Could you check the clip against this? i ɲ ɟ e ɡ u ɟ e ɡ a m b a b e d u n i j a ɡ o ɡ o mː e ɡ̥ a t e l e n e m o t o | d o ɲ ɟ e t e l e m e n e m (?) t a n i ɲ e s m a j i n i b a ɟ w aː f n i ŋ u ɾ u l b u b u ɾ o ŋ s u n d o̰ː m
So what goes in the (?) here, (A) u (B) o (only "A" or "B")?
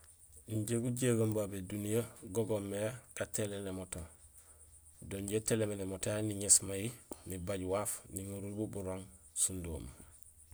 B